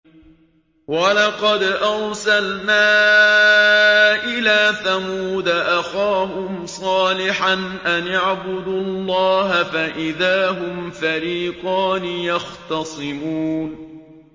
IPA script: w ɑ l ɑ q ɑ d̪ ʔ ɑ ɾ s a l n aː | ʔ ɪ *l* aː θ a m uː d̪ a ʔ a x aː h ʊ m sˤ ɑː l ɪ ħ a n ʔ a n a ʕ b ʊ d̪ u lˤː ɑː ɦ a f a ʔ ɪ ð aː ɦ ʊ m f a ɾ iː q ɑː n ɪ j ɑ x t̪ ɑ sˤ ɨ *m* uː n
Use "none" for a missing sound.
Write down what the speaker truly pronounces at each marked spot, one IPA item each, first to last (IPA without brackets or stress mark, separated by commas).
l, m